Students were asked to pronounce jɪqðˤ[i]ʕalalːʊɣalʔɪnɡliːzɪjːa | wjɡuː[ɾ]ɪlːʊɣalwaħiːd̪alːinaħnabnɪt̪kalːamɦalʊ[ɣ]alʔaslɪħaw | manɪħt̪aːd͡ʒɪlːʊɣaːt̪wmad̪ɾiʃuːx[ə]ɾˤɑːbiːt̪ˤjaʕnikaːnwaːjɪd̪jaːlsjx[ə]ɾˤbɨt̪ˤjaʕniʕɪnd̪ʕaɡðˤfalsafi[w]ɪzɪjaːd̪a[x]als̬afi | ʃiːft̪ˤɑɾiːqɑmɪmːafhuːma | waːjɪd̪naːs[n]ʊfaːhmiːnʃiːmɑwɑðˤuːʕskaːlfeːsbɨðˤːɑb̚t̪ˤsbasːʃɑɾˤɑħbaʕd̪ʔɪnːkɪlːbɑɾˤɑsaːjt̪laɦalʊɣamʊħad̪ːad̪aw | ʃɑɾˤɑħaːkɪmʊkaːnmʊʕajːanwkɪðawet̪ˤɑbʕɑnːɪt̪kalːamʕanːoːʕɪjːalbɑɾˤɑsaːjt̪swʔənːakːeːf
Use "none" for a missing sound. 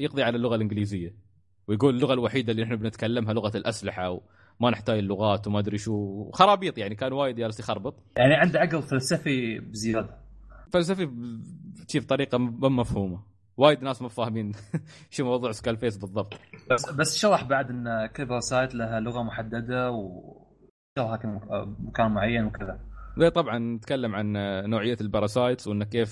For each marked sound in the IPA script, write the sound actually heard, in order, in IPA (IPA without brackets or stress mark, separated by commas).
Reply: i, l, ɣ, ɑ, ɑ, b, f, m